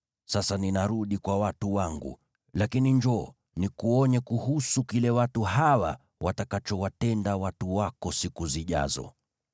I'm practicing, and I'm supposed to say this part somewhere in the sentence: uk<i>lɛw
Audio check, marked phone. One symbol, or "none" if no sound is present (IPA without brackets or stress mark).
i